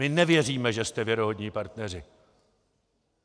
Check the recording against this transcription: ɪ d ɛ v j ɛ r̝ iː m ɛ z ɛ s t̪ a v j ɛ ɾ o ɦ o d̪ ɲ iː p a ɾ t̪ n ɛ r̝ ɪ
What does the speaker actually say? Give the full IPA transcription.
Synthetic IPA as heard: ɪ n ɛ v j ɛ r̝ iː m ɛ ʒ ɛ s t̪ ɛ v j ɛ ɾ o ɦ o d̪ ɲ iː p a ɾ t̪ n ɛ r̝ ɪ